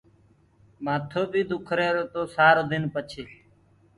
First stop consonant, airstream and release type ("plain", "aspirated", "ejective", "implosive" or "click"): aspirated